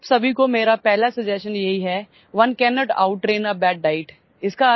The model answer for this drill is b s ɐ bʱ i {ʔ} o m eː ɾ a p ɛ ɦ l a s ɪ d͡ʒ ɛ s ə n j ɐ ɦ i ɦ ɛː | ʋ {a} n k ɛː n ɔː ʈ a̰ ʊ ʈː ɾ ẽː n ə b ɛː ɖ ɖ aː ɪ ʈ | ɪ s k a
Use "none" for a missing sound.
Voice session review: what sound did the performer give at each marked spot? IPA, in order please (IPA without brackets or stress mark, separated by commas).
k, ɐ